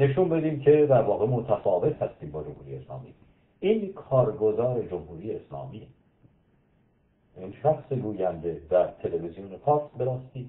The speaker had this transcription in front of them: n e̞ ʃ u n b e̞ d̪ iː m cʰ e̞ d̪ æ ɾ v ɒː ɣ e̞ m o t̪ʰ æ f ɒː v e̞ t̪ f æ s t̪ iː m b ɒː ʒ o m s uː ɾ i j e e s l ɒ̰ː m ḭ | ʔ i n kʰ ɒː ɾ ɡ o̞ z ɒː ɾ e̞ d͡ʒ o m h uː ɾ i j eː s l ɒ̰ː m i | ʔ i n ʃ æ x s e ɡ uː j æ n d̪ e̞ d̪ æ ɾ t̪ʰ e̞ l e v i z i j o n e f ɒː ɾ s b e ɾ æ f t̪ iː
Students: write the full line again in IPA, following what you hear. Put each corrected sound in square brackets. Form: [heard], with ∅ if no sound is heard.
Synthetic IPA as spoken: n e̞ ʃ u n b e̞ d̪ iː m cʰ e̞ d̪ æ ɾ v ɒː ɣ e̞ m o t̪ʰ æ f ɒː v e̞ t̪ [h] æ s t̪ iː m b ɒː [d͡ʒ] o m [h] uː ɾ i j e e s l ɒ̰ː m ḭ | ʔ i n kʰ ɒː ɾ ɡ o̞ z ɒː ɾ e̞ d͡ʒ o m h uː ɾ i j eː s l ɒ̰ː m i | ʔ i n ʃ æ x s e ɡ uː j æ n d̪ e̞ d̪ æ ɾ t̪ʰ e̞ l e v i z i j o n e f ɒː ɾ s b e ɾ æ [s] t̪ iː